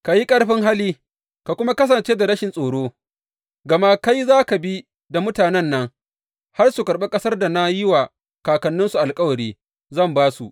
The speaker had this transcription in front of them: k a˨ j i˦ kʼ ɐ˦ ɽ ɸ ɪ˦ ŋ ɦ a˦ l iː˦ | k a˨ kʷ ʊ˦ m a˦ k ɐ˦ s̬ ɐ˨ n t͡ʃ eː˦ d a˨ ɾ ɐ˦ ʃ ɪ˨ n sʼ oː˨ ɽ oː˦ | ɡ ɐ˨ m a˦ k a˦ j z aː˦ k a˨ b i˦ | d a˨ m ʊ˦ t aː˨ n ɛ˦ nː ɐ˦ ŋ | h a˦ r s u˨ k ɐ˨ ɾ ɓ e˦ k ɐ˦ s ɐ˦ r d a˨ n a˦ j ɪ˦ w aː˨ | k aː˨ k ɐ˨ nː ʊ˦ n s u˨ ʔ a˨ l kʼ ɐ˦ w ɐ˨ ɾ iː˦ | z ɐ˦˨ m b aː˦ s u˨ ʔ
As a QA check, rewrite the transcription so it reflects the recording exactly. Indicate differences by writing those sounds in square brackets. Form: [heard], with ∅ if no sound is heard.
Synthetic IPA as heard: k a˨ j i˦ kʼ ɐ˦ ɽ ɸ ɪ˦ ŋ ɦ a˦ l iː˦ | k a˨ kʷ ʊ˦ m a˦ k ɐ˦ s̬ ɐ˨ n t͡ʃ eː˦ d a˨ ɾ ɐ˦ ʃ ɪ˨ n sʼ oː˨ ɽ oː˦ | ɡ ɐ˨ m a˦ k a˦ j z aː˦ k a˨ b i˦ | d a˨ m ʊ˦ t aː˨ n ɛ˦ nː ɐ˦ ŋ | h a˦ r s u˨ k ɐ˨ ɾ ɓ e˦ [kʼ] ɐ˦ s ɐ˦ r d a˨ n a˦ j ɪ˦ w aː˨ | k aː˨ k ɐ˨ nː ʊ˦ n s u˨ ʔ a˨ l kʼ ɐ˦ w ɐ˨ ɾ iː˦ | z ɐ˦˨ m b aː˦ s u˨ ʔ